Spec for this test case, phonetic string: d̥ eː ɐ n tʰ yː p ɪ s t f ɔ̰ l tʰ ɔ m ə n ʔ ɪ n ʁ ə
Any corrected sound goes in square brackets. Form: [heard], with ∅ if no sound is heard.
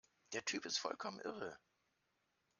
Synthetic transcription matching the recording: d̥ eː ɐ [∅] tʰ yː p ɪ s t f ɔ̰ l [kʰ] ɔ m ə n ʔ ɪ [∅] ʁ ə